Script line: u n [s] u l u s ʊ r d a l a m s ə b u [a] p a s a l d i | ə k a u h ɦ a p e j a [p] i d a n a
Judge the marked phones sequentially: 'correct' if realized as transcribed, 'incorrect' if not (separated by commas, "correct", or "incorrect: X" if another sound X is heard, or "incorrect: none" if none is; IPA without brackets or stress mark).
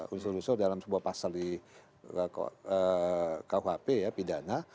correct, correct, correct